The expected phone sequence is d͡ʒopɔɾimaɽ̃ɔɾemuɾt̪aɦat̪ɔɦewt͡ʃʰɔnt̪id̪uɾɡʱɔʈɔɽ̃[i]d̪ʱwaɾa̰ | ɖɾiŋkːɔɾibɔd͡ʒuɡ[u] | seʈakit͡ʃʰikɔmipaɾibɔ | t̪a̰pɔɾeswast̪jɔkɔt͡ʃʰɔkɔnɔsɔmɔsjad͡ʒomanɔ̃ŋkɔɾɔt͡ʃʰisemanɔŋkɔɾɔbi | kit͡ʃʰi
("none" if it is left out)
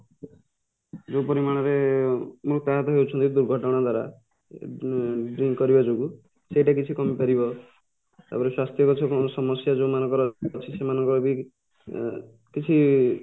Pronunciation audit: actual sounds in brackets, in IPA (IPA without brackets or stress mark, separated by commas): a, u